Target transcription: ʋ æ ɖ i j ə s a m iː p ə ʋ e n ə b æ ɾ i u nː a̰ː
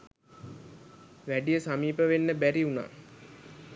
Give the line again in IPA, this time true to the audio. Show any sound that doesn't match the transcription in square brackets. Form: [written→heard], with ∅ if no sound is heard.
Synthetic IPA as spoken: ʋ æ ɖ i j ə s a m iː p ə ʋ e [n→nː] ə b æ ɾ i u [nː→n] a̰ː